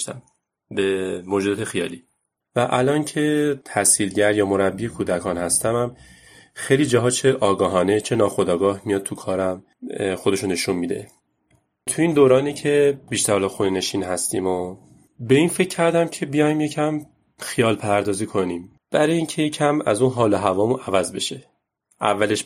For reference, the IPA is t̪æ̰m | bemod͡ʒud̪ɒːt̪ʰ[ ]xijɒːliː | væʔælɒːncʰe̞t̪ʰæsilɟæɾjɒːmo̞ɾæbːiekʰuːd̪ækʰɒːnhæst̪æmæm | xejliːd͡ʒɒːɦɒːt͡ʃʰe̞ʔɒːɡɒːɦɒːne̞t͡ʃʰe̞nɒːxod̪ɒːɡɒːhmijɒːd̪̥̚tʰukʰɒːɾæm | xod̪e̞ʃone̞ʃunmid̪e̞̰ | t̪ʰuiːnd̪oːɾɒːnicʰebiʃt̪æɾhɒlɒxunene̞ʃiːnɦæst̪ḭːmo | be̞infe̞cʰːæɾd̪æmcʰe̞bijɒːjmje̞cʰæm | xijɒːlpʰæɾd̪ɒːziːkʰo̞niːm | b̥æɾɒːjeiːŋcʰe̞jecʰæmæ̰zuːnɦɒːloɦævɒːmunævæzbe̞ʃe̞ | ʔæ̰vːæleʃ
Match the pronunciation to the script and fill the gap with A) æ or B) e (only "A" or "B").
B